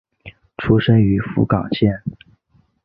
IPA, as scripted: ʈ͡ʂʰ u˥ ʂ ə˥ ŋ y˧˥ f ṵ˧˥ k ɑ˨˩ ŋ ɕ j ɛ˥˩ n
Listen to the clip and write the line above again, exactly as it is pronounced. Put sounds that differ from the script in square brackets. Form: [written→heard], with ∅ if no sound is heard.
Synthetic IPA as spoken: ʈ͡ʂʰ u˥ ʂ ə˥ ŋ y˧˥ f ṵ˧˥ k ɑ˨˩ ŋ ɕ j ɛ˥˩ n